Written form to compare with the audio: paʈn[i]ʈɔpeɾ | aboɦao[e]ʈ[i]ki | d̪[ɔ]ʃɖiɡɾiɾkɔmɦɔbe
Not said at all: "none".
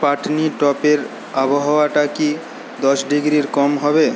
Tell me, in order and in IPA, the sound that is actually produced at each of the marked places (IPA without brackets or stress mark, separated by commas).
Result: i, a, a, ɔ